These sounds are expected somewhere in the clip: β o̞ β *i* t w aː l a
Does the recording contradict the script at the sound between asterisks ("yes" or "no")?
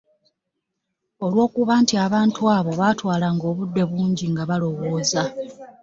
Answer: yes